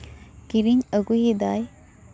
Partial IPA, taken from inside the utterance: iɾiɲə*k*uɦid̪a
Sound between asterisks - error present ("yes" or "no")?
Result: yes